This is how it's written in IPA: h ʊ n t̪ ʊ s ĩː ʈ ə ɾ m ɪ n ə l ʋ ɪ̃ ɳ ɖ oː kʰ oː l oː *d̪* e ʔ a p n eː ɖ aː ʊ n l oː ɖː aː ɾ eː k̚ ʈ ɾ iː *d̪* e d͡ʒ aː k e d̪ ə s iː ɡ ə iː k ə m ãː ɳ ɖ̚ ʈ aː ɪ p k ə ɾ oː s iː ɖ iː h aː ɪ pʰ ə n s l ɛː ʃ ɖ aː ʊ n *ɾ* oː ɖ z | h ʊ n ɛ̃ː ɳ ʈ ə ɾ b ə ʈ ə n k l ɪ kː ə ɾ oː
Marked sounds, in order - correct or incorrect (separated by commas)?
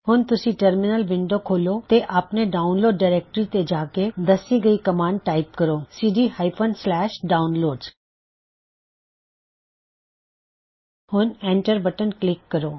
incorrect, incorrect, incorrect